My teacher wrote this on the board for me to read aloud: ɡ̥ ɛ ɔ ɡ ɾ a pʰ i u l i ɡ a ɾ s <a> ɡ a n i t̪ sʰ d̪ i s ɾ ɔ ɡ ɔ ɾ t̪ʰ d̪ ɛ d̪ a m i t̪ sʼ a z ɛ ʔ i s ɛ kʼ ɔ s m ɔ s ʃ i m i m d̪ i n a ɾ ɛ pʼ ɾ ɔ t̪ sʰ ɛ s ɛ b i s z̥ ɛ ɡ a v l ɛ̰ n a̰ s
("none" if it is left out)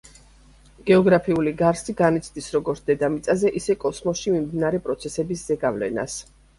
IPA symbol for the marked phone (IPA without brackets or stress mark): i